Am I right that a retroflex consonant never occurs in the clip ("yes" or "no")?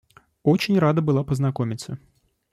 yes